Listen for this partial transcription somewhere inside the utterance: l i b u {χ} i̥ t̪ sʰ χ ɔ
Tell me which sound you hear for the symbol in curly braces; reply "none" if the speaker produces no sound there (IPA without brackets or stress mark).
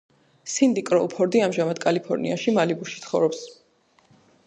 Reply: ʃ